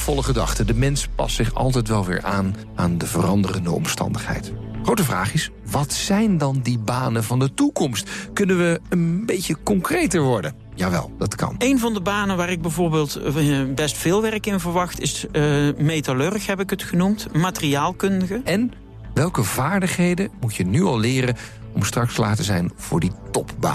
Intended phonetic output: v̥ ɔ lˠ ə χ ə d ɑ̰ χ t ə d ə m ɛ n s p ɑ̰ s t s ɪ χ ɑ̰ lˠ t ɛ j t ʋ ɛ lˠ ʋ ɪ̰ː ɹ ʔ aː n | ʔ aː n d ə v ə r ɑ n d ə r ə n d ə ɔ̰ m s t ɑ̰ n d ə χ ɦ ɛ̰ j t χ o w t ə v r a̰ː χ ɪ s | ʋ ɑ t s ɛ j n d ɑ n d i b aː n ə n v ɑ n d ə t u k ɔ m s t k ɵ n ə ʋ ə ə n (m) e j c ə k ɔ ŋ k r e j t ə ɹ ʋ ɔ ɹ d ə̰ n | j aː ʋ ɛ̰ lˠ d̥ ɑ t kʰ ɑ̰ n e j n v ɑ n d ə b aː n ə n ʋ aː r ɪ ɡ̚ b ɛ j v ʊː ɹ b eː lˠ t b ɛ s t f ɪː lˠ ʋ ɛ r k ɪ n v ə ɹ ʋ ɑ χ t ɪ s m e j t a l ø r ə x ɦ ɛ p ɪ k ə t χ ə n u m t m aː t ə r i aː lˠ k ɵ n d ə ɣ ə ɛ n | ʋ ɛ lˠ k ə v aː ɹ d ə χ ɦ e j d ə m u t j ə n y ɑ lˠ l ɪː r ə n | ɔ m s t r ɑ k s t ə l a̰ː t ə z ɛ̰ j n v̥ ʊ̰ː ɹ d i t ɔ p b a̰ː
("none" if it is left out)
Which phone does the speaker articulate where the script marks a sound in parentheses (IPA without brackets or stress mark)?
b